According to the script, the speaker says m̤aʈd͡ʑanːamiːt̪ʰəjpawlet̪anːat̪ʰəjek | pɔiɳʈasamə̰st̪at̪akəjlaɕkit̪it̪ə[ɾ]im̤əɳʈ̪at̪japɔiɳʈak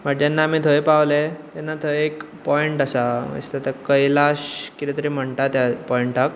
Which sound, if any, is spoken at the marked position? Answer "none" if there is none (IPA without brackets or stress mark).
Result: ɾ